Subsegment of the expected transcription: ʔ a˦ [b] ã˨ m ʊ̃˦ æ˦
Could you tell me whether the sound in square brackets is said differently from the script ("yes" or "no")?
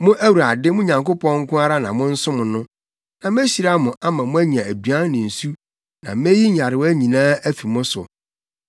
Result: yes